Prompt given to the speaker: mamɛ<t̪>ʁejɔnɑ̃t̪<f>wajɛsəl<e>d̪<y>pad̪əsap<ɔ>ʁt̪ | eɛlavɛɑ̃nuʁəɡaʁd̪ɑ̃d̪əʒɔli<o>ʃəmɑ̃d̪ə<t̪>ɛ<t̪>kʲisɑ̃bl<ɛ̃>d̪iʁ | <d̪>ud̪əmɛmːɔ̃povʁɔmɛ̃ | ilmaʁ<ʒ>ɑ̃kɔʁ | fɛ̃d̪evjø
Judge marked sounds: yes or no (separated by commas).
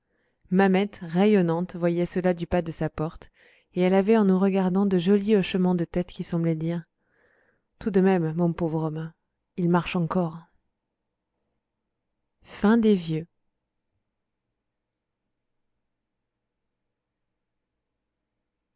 yes, no, no, yes, yes, no, yes, yes, no, no, no